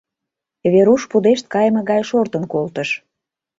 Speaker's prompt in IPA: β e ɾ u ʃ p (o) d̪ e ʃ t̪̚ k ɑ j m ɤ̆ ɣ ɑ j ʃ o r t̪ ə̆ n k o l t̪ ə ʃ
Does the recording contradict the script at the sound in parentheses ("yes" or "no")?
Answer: yes